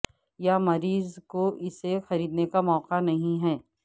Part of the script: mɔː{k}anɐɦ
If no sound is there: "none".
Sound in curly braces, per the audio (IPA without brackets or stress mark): q